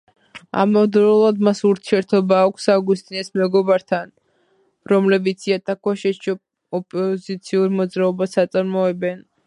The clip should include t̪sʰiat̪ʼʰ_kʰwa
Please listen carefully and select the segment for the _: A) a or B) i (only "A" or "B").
A